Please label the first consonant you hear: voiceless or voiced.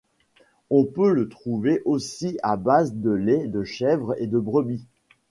voiceless